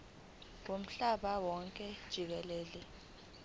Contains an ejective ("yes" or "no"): yes